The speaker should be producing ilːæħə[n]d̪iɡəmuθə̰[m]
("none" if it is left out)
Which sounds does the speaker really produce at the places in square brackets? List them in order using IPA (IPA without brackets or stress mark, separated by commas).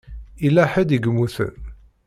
none, n